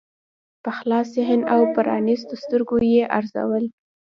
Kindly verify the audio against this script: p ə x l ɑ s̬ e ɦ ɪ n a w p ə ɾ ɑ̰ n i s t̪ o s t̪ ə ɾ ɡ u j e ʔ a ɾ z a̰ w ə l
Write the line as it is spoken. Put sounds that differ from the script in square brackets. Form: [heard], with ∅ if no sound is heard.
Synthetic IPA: p ə x l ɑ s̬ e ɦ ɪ n a w p ə ɾ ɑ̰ n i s t̪ o s t̪ ə ɾ ɡ [o] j e ʔ a ɾ z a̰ w ə l